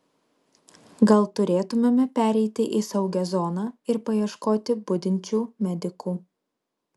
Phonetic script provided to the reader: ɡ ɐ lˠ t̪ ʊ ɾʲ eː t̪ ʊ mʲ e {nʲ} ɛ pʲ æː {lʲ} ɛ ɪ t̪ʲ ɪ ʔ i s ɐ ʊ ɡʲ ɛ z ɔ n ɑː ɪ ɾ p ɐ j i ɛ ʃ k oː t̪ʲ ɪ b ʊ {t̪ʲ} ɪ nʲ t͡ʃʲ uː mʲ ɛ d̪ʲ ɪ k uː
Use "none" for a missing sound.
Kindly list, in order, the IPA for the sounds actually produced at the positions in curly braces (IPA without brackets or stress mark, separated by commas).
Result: mʲ, ɾʲ, d̪ʲ